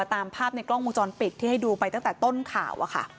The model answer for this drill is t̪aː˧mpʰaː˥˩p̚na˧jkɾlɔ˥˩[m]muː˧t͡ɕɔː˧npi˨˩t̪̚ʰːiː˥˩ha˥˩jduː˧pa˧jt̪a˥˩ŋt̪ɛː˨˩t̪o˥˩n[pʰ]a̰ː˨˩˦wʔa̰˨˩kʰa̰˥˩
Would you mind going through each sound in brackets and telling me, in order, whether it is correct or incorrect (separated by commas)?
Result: incorrect, incorrect